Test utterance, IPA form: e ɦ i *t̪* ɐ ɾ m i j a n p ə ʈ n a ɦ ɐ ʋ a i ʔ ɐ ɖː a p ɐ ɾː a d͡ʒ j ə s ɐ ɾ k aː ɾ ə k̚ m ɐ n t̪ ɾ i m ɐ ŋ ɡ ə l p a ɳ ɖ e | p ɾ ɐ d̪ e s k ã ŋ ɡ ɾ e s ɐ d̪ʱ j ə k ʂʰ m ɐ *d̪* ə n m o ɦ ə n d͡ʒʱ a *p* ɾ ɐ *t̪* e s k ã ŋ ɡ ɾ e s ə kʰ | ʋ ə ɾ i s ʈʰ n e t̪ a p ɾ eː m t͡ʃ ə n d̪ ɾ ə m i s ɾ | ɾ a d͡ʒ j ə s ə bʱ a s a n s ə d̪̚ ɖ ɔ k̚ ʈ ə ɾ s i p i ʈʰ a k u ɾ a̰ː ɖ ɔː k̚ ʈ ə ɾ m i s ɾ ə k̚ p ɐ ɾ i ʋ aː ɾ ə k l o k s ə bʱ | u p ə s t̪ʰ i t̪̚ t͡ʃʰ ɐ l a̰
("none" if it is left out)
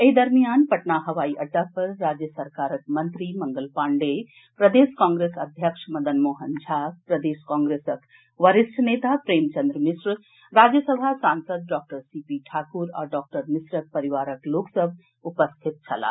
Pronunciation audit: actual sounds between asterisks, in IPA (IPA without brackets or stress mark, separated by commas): d̪, d̪, p, d̪